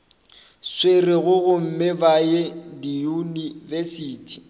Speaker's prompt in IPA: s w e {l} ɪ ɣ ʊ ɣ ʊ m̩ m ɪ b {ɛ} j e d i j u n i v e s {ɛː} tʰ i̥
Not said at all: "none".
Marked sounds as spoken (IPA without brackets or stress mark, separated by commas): r, a, iː